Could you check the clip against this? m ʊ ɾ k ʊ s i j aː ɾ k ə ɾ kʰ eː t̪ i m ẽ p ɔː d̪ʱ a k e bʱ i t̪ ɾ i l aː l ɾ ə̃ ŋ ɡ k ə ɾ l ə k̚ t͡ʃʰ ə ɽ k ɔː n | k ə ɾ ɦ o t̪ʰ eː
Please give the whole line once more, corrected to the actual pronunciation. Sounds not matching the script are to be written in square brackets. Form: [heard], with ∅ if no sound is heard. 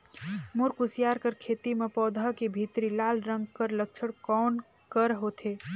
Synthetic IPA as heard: m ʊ ɾ k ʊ s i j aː ɾ k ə ɾ kʰ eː t̪ i m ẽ p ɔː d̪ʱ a k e bʱ i t̪ ɾ i l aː l ɾ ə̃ ŋ ɡ k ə ɾ l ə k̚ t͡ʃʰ ə ɽ k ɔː n | k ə ɾ ɦ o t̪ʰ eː